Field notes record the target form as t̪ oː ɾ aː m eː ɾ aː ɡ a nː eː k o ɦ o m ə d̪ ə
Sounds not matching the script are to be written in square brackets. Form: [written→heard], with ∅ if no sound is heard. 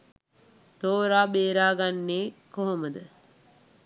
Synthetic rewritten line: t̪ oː ɾ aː [m→b] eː ɾ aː ɡ a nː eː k o ɦ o m ə d̪ ə